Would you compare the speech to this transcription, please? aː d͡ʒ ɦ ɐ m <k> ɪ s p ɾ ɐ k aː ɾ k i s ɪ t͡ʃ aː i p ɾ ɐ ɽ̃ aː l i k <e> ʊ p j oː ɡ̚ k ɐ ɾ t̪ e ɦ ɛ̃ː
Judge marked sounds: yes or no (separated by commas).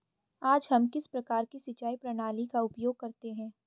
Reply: yes, no